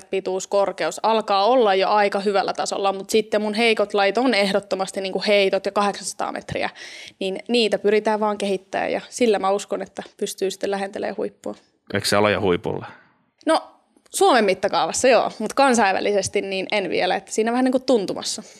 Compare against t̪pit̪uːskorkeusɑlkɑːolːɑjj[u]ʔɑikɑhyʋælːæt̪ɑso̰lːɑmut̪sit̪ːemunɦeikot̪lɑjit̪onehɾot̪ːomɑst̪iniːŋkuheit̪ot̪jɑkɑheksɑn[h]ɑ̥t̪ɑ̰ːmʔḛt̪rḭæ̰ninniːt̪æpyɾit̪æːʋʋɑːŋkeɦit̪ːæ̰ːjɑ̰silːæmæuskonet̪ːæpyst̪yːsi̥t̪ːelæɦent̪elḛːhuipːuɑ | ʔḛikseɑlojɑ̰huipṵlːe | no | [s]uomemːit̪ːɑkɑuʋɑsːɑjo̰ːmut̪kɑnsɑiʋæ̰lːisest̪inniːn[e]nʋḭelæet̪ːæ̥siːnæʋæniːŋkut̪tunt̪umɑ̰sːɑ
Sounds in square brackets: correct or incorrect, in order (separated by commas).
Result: incorrect, incorrect, correct, correct